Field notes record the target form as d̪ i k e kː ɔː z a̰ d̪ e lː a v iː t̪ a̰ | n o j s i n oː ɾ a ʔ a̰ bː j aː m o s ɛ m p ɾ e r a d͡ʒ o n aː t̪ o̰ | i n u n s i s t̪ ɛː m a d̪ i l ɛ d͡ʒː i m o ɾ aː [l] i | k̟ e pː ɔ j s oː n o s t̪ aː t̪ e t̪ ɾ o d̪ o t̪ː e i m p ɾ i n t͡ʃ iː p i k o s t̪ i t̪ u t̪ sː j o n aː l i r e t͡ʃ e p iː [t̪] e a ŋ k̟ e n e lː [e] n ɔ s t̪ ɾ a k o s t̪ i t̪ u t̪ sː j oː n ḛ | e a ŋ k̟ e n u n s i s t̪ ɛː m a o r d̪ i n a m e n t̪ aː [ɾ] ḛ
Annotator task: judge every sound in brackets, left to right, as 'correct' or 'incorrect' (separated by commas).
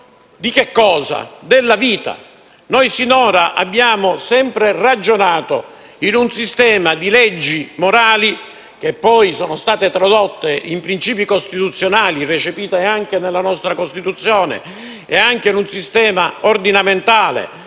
correct, correct, incorrect, incorrect